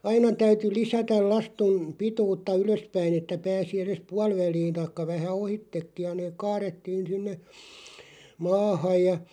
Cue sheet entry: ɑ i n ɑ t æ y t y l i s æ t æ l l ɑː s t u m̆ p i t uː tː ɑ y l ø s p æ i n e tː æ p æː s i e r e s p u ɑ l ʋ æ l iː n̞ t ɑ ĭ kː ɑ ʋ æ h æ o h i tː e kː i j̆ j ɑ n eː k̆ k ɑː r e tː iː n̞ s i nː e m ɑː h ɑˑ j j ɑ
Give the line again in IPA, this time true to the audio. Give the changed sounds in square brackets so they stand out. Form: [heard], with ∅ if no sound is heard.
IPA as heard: ɑ i n ɑ t æ y t y l i s æ t æ l l [ɑ] s t u m̆ p i t uː tː ɑ y l ø s p æ i n e tː æ p æː s i e r e s p u ɑ l ʋ æ l iː n̞ t ɑ ĭ kː ɑ ʋ æ h æ o h i tː e kː i j̆ j ɑ n eː k̆ k ɑː r e tː iː n̞ s i nː e m ɑː h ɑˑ j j ɑ